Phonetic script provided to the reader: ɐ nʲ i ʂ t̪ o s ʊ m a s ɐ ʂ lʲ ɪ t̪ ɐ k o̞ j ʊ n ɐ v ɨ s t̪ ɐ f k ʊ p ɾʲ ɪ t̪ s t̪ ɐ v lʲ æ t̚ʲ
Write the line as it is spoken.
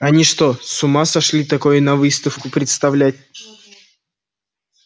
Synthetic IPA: ɐ nʲ i ʂ t̪ o s ʊ m a s ɐ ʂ lʲ i t̪ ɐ k o̞ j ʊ n ɐ v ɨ s t̪ ə f k ʊ p ɾʲ ɪ t̪ s t̪ ɐ v lʲ æ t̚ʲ